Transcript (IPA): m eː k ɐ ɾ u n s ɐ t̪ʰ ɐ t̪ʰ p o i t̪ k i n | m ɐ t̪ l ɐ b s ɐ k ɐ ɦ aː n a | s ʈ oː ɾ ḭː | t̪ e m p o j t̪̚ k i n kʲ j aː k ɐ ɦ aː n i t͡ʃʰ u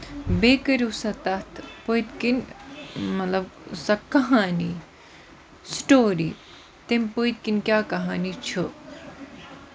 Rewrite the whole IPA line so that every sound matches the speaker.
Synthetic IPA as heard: b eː k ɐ ɾ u s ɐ t̪ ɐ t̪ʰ p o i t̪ k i n | m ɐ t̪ l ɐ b s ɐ k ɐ ɦ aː n i | s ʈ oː ɾ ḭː | t̪ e m p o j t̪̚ k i n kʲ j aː k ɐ ɦ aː n i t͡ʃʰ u